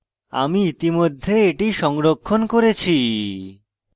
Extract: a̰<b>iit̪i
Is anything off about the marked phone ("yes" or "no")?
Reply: yes